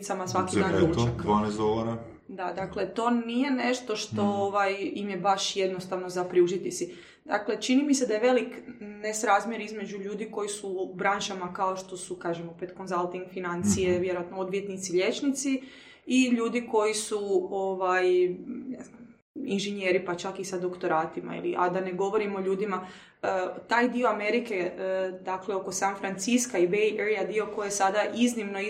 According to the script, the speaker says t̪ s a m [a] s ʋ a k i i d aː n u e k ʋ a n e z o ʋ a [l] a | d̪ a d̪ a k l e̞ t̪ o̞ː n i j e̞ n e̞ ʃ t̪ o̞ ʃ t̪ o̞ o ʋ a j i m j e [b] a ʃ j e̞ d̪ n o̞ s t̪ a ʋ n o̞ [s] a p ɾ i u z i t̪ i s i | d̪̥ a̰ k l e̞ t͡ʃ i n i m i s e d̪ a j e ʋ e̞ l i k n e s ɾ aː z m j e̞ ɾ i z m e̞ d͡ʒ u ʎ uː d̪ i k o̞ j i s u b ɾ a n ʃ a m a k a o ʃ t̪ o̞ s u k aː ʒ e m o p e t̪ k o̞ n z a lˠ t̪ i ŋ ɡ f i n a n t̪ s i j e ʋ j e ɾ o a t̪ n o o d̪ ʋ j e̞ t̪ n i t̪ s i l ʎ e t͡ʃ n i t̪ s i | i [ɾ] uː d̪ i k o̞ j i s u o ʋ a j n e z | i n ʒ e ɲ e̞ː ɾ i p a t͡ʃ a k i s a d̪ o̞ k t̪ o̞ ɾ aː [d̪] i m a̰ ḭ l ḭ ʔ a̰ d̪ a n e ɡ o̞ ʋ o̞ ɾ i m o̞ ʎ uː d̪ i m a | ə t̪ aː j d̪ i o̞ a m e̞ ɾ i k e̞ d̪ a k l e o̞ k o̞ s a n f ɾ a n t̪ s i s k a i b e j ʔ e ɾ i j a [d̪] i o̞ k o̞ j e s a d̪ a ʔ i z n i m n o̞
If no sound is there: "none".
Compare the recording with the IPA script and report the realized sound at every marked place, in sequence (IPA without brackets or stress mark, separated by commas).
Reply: a, ɾ, b, z, ʎ, t̪, d̪